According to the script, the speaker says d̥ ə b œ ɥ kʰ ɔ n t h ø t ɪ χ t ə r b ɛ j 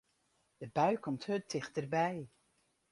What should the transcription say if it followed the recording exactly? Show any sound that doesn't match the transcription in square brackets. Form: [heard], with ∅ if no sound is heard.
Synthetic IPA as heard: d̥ ə b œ ɥ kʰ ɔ [m] t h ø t ɪ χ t ə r b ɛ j